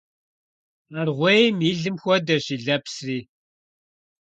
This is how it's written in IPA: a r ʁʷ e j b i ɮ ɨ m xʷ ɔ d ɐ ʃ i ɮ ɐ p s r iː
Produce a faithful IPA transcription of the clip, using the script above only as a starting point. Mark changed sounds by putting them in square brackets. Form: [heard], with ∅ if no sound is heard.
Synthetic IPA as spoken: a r ʁʷ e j [m] i ɮ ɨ m xʷ ɔ d ɐ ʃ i ɮ ɐ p s r iː